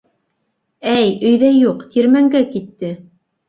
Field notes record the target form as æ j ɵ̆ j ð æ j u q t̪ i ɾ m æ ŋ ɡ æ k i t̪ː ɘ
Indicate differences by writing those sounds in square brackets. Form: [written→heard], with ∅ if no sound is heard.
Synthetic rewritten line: æ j ɵ̆ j ð æ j u q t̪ i ɾ m æ ŋ ɡ æ k i t̪ː ɘ